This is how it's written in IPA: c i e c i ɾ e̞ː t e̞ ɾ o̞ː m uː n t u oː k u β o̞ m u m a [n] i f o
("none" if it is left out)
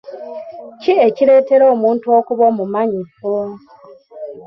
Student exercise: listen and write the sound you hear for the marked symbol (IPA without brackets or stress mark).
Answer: ɲ